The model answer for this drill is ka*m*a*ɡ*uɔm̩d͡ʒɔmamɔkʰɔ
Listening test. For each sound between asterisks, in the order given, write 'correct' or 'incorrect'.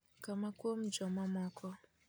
correct, incorrect: k

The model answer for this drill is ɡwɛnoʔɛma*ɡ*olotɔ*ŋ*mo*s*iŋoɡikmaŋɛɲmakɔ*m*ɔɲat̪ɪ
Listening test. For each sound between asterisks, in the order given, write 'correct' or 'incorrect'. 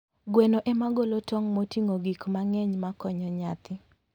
correct, correct, incorrect: t, incorrect: ɲ

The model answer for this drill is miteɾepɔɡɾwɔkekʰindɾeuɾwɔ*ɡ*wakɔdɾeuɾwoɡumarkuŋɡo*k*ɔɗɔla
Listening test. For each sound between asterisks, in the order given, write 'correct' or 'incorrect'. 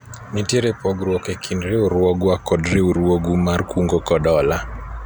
correct, correct

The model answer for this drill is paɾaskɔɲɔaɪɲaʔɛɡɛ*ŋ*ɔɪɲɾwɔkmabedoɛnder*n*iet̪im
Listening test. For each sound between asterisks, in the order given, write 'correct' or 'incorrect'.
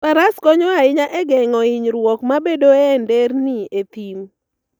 correct, correct

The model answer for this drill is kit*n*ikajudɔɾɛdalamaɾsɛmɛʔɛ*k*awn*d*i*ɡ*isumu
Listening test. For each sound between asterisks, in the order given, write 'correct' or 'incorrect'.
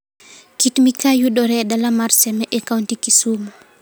incorrect: m, correct, incorrect: t, incorrect: k

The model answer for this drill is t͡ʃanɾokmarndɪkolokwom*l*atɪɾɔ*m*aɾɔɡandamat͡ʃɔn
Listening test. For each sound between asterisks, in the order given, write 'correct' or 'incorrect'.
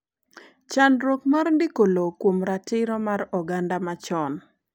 incorrect: ɾ, correct

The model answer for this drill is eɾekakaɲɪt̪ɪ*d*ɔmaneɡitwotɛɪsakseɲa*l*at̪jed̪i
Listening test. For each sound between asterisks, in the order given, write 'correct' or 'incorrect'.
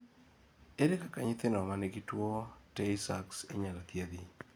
incorrect: n, correct

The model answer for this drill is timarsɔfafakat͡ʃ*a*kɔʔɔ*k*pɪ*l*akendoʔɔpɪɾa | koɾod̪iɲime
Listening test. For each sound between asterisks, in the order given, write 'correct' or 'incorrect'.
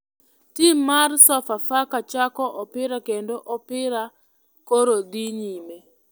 correct, incorrect: none, incorrect: ɾ

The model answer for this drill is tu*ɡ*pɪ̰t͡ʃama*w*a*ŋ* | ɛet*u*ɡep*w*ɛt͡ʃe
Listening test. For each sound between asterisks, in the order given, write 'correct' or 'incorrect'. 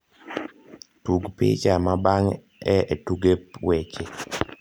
correct, incorrect: b, correct, correct, correct

